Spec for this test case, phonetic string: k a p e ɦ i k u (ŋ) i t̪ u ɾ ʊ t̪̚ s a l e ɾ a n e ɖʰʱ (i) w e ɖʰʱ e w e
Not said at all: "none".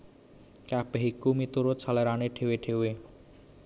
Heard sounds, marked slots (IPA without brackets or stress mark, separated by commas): m, e